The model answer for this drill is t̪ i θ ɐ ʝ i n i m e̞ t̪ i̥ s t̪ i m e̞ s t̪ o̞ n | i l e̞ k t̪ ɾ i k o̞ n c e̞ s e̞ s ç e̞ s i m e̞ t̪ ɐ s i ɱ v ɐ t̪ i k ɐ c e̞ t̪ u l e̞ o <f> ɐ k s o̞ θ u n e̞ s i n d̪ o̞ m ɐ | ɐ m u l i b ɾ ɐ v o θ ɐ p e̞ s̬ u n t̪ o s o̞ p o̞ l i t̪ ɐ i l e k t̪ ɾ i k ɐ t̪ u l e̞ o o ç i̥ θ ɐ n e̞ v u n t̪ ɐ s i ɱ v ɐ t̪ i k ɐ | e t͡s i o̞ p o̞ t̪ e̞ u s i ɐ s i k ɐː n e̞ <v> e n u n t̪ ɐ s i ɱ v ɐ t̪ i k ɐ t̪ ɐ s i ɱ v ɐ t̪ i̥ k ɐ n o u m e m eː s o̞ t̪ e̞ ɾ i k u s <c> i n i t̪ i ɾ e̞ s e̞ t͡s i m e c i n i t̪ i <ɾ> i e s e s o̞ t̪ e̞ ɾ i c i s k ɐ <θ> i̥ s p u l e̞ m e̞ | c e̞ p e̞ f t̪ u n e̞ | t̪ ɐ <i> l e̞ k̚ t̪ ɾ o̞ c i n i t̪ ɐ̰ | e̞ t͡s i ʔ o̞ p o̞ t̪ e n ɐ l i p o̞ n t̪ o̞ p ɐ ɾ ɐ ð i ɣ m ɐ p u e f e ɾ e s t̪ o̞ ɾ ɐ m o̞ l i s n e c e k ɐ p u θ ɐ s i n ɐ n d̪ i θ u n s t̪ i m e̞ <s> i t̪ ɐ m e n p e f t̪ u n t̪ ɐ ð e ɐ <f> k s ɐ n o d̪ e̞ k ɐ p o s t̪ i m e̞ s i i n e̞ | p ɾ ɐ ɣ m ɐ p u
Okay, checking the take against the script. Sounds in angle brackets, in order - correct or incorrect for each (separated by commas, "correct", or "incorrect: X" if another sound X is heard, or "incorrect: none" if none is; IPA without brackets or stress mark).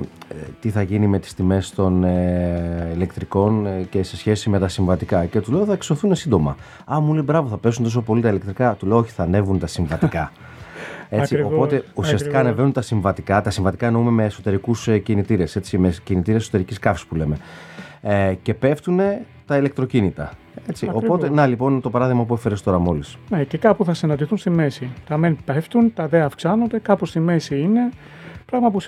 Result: incorrect: θ, correct, correct, correct, incorrect: f, correct, correct, correct